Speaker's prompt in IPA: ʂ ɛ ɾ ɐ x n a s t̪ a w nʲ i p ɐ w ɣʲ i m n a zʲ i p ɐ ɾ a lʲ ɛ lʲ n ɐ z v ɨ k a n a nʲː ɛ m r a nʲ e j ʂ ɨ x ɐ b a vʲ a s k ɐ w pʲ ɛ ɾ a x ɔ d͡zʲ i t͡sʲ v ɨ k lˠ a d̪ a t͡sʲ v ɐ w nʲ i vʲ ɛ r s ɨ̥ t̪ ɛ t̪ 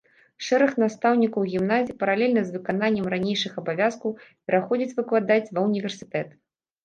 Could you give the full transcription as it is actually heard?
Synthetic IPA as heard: ʂ ɛ ɾ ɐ x n a s t̪ a w nʲ i k ɐ w ɣʲ i m n a zʲ i p ɐ ɾ a lʲ ɛ lʲ n ɐ z v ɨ k a n a nʲː ɛ m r a nʲ e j ʂ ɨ x ɐ b a vʲ a s k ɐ w pʲ ɛ ɾ a x ɔ d͡zʲ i t͡sʲ v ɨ k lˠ a d̪ a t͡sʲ v ɐ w nʲ i vʲ ɛ r s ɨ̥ t̪ ɛ t̪